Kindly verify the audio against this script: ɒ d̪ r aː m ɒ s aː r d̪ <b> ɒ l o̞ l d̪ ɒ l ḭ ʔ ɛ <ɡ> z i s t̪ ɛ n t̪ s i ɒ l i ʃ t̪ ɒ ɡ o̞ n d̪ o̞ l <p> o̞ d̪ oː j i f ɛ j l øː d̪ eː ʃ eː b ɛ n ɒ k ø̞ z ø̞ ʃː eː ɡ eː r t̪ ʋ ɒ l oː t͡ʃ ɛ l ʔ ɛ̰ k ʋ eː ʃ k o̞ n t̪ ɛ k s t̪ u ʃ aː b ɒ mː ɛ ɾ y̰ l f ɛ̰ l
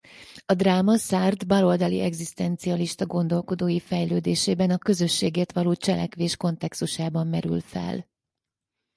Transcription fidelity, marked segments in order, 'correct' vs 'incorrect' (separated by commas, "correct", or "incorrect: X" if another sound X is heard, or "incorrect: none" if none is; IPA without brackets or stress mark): correct, correct, incorrect: k